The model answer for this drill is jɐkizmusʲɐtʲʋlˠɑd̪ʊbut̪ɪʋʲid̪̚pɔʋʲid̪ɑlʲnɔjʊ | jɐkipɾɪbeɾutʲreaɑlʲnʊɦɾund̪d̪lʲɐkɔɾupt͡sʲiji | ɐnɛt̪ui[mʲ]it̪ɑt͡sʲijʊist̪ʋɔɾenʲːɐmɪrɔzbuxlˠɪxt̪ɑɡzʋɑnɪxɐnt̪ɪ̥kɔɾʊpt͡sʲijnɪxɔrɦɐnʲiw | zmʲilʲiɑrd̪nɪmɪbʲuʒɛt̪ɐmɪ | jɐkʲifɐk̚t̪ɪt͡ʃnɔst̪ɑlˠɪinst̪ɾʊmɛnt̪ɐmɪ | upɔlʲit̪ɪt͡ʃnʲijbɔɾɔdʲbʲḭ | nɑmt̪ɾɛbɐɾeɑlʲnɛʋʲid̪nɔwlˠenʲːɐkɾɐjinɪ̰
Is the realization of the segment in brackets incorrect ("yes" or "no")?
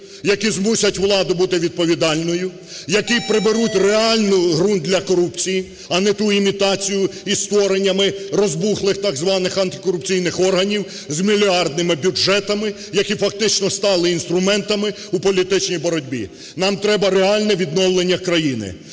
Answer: no